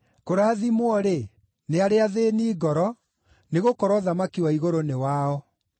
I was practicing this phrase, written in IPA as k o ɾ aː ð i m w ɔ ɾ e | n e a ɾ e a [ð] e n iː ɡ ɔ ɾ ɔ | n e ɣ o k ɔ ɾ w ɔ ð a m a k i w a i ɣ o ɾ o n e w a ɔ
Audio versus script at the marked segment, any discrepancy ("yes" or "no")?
no